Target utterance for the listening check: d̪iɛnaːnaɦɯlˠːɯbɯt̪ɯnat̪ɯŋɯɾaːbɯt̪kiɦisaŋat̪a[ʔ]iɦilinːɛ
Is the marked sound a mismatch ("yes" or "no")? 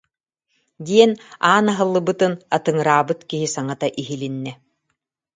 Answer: no